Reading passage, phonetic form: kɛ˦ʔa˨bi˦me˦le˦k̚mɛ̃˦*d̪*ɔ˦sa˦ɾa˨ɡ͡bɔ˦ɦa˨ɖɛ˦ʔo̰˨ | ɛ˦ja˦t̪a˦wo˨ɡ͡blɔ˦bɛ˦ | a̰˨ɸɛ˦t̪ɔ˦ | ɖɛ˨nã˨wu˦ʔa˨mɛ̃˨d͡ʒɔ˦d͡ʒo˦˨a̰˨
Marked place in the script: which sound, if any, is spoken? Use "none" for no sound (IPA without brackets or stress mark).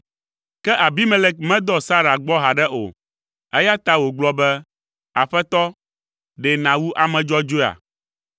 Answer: d̪